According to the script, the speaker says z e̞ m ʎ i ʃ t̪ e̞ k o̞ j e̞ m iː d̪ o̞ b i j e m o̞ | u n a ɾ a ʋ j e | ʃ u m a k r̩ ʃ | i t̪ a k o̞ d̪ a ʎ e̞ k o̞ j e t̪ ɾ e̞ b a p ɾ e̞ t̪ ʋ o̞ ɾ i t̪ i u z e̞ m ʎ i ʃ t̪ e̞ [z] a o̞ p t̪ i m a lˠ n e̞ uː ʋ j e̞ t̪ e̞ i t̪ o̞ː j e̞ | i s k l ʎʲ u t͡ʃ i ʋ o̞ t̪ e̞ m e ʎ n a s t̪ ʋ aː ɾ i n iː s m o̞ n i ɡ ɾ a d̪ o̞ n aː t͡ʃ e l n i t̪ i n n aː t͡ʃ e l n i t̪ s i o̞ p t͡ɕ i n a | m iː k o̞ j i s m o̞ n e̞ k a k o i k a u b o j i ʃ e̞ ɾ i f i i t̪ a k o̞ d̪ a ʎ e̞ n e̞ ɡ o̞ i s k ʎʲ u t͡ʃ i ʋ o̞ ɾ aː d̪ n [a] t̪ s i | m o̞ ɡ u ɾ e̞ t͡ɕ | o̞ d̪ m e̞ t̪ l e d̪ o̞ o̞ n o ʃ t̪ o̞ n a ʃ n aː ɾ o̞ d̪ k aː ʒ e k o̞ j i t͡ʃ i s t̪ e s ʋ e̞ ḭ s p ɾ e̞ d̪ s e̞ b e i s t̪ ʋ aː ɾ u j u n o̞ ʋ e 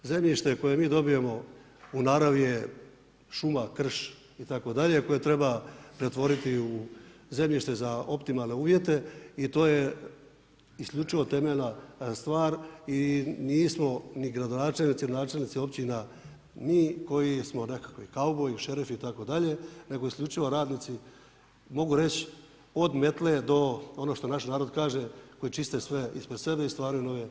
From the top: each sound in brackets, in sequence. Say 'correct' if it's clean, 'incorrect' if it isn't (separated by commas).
correct, incorrect